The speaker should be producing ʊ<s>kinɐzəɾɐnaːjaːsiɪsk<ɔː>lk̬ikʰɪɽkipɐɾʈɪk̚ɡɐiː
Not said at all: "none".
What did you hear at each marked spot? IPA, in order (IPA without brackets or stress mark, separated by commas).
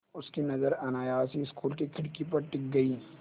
s, uː